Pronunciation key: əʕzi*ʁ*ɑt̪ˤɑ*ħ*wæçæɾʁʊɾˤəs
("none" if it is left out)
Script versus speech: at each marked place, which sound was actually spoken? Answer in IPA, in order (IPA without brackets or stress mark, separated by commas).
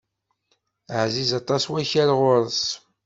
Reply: z, s